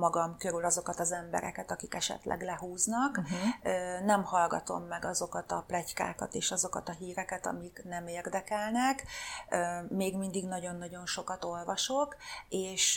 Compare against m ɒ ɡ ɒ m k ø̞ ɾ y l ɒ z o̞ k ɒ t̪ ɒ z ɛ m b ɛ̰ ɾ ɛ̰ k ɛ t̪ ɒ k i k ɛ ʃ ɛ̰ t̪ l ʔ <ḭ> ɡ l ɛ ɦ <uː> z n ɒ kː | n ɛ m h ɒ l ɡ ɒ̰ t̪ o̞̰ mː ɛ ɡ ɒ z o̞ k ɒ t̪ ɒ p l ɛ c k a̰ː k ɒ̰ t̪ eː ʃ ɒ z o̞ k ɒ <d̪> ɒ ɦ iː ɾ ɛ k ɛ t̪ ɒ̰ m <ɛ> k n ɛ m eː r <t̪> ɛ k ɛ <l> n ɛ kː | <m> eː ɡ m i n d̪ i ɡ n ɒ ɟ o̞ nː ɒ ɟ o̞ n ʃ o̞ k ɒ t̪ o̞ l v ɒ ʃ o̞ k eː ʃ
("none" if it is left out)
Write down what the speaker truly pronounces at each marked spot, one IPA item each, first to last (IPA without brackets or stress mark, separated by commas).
ɛ̰, uː, t̪, i, d̪, l, m